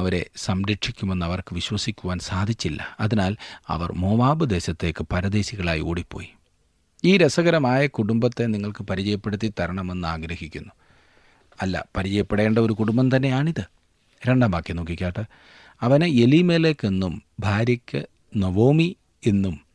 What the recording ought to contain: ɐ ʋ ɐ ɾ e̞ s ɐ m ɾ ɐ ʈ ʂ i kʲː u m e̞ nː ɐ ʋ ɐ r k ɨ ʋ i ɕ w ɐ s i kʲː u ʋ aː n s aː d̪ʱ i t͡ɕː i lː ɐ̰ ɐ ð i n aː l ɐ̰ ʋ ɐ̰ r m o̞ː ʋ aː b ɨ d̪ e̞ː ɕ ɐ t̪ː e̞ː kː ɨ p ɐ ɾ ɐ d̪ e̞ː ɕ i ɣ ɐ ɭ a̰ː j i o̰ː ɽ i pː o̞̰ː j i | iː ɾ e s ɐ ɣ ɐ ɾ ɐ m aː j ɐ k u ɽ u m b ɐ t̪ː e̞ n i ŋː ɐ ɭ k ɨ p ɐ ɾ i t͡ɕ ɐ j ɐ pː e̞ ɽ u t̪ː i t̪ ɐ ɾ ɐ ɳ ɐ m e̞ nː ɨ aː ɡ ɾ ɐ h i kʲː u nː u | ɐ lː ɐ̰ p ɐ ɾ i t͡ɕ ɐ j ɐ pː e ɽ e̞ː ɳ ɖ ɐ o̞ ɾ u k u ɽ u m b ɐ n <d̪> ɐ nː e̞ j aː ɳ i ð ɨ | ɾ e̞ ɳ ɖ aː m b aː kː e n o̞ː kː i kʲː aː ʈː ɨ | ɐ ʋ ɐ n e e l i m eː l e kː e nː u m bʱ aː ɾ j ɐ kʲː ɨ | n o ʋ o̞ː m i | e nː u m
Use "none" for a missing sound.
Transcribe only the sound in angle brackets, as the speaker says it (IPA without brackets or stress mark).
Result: t̪